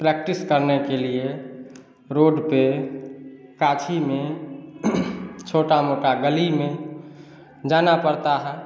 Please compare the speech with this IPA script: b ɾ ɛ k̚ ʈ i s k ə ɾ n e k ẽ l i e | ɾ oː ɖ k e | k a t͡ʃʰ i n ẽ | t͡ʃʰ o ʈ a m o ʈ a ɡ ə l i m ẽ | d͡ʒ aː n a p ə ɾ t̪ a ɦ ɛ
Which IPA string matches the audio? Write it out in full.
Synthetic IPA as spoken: p ɾ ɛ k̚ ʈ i s k ə ɾ n e k e l i e | ɾ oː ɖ p e | k a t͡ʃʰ i m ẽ | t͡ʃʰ o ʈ a m o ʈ a ɡ ə l i m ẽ | d͡ʒ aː n a p ə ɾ t̪ a ɦ ɛ